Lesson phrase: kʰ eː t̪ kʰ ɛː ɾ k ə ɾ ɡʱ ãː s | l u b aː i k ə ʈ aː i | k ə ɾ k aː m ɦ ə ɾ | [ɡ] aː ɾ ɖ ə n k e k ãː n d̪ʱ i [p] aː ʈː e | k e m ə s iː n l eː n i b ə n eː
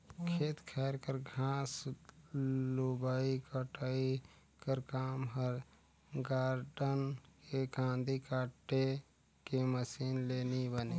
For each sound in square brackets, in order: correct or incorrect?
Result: correct, incorrect

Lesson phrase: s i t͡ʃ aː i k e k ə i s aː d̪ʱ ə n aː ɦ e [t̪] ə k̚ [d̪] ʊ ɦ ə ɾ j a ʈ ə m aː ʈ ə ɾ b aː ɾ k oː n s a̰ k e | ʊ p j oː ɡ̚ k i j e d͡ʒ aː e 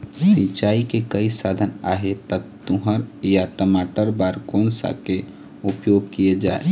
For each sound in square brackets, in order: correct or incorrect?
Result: correct, incorrect

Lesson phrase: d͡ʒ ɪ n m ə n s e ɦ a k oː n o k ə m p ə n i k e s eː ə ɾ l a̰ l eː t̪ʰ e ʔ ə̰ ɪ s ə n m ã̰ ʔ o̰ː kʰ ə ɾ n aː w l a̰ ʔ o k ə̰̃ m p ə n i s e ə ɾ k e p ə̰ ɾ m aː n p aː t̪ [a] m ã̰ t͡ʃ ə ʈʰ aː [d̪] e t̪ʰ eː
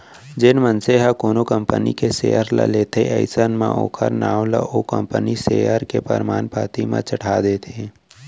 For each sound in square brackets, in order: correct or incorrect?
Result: incorrect, correct

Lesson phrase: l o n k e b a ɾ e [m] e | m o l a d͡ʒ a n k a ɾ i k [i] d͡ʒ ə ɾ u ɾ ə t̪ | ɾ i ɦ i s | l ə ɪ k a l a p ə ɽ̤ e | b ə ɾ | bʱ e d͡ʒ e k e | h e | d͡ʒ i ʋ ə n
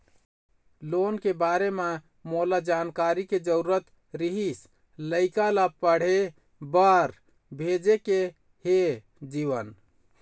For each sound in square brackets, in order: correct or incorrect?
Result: correct, incorrect

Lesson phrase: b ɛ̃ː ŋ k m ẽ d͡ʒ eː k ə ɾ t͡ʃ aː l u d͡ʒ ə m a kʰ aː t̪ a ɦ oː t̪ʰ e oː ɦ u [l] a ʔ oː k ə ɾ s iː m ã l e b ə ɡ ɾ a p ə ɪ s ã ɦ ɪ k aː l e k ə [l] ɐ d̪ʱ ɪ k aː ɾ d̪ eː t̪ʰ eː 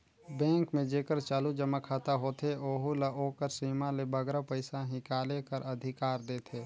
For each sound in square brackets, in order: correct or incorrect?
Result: correct, incorrect

